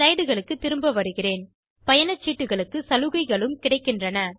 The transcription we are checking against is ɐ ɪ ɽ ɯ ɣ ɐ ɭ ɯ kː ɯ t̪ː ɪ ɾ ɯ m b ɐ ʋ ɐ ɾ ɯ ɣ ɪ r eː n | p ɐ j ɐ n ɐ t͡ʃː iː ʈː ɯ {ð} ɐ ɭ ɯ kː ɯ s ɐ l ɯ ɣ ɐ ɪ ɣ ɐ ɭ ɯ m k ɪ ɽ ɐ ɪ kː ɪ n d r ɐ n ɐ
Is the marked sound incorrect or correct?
incorrect